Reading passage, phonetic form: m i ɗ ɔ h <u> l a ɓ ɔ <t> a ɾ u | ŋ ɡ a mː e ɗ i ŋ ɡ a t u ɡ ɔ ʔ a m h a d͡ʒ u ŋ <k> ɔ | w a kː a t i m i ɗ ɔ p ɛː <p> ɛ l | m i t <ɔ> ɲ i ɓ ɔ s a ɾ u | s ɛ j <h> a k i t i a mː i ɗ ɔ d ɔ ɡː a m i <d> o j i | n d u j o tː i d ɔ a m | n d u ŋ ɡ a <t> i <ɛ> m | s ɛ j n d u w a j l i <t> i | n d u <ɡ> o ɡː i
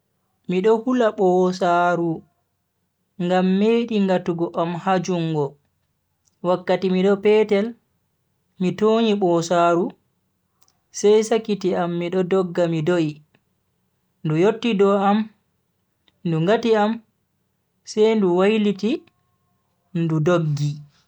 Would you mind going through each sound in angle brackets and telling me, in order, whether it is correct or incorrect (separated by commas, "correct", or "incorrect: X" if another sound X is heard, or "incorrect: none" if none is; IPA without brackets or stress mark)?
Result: correct, incorrect: s, incorrect: ɡ, incorrect: t, incorrect: o, incorrect: s, correct, correct, incorrect: a, correct, incorrect: d